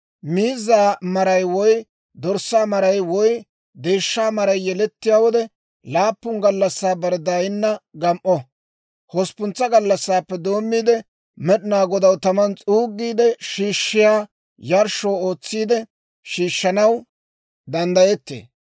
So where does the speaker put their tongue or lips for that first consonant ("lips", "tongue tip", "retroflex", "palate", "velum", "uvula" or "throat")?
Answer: lips